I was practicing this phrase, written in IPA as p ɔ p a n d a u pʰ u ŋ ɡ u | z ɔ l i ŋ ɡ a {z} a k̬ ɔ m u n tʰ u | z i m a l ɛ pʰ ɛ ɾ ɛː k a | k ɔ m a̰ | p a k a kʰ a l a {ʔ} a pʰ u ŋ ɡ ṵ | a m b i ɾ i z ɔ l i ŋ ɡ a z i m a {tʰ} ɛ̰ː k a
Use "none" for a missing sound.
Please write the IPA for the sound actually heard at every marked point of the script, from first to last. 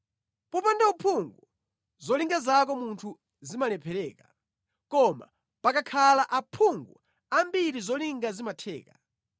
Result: z, ʔ, tʰ

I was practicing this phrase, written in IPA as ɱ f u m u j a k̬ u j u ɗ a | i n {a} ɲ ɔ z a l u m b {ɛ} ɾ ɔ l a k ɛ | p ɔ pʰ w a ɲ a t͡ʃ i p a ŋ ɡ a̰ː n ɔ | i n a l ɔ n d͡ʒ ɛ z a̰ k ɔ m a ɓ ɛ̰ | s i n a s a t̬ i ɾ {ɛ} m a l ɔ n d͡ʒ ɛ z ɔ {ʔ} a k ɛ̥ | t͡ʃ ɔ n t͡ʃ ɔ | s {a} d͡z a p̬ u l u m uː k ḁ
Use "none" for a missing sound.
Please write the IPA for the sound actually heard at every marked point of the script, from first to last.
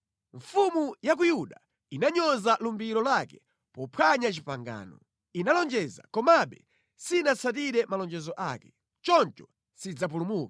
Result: a, i, ɛ, ʔ, i

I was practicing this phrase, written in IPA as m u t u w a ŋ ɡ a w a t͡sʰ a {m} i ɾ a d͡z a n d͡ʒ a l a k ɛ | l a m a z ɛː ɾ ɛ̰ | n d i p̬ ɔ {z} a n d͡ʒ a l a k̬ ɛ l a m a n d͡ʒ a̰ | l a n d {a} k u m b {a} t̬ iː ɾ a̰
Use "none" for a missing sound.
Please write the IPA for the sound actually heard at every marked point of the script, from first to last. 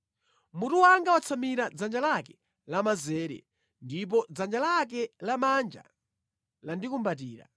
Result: m, d͡z, i, a

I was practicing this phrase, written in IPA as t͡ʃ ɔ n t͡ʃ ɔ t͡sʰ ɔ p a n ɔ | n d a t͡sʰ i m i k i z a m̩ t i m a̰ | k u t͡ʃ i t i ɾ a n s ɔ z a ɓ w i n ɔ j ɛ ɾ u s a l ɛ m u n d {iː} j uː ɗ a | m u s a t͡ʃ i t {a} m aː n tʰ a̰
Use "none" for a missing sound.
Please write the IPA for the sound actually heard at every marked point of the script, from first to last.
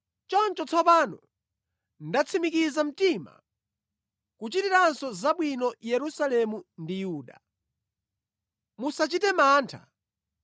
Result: i, ɛ

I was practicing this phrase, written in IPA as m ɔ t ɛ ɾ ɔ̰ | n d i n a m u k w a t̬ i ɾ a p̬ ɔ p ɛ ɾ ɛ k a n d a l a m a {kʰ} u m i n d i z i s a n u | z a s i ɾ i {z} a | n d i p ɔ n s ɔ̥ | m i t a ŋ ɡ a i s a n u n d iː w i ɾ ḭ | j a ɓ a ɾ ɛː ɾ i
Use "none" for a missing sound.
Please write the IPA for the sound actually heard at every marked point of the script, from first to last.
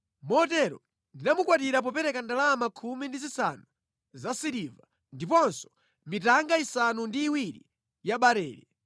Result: kʰ, v

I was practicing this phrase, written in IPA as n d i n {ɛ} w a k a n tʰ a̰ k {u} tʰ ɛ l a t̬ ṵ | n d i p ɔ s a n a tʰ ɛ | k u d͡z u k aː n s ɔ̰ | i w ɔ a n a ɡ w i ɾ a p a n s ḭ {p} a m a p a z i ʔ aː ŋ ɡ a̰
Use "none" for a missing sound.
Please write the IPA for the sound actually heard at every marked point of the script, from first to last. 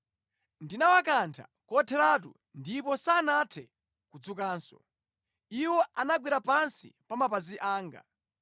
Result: a, ɔ, p

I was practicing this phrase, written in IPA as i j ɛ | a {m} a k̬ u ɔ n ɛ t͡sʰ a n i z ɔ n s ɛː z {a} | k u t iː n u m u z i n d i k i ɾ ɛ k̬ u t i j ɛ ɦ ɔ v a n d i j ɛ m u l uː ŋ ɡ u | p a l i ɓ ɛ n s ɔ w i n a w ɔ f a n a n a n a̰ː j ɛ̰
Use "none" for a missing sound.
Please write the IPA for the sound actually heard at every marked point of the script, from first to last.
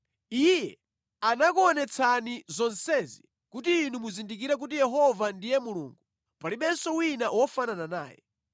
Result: n, i

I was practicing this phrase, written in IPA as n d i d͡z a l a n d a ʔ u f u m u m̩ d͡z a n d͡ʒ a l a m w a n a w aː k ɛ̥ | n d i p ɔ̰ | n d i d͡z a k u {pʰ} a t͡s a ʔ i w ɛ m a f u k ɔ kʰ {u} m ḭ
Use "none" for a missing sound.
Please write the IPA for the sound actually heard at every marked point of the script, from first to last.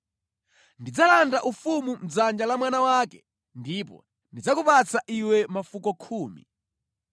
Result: p, uː

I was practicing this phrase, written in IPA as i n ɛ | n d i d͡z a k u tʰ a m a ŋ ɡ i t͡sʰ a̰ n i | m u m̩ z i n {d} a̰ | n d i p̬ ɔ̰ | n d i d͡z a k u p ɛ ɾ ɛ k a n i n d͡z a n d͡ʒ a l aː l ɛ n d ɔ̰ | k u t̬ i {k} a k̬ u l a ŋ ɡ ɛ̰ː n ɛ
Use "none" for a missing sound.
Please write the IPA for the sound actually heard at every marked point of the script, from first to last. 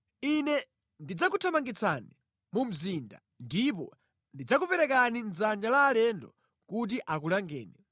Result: d, ʔ

